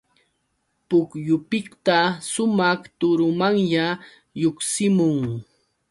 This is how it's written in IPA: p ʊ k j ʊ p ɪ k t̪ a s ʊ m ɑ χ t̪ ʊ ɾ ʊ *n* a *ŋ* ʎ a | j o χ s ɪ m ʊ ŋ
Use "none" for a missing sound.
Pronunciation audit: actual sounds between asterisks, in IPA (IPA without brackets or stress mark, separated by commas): m, ŋ